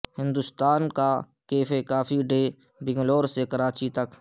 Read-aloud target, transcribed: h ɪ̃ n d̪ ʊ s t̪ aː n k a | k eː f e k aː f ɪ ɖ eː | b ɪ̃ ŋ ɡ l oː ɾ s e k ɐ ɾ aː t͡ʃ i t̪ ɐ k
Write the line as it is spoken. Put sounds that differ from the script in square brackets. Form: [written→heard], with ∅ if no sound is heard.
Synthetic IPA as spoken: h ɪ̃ n d̪ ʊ s t̪ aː n k a | k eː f e k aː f [ɪ→i] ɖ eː | b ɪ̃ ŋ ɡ l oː ɾ s e k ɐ ɾ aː t͡ʃ i t̪ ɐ k